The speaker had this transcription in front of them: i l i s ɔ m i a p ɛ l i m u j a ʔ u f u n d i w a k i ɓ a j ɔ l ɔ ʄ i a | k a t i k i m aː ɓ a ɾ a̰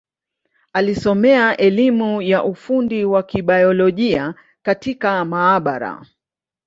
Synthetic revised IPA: a l i s ɔ m ɛ a ʔ ɛ l i m u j a ʔ u f u n d i w a k i ɓ a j ɔ l ɔ ʄ i a | k a t i k a m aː ɓ a ɾ a̰